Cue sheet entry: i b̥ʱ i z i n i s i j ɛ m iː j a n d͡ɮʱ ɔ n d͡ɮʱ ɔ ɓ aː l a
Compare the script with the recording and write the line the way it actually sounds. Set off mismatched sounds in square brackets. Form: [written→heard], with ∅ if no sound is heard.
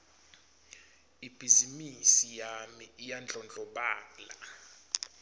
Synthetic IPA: i b̥ʱ i z i [n→m] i s i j [ɛ→a] m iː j a n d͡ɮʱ ɔ n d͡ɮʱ ɔ ɓ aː l a